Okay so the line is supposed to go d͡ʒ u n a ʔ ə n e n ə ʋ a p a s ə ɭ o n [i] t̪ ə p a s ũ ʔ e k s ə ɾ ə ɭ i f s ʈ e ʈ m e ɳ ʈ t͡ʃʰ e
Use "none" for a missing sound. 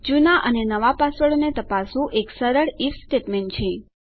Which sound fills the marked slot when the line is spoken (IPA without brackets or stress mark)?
e